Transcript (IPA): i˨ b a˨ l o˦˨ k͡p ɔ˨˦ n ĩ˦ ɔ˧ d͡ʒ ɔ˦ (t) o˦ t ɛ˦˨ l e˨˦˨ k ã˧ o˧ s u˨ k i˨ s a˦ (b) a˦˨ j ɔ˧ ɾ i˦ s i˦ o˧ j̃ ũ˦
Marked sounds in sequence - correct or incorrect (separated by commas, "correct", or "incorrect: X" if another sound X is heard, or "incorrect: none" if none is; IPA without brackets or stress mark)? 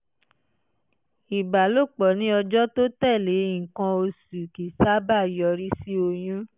correct, correct